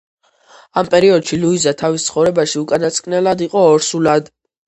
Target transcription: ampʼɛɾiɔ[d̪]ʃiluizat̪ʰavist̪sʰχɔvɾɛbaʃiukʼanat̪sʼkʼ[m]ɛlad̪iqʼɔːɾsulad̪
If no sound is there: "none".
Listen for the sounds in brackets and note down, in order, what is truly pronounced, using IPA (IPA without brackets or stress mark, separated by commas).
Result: d̪, n